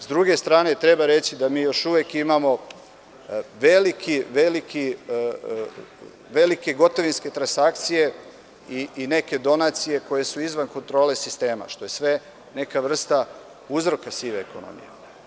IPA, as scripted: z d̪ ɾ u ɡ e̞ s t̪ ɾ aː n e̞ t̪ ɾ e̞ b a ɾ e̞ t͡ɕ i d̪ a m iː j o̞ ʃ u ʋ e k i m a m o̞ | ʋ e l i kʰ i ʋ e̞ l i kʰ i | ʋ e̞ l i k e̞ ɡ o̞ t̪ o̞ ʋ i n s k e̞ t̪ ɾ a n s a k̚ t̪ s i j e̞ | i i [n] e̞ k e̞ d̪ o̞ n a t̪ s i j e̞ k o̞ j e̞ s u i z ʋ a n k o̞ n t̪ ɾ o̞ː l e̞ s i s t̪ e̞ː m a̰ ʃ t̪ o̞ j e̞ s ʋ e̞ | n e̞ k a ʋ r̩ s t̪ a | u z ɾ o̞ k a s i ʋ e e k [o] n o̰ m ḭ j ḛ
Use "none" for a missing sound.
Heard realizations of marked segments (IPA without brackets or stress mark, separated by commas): n, o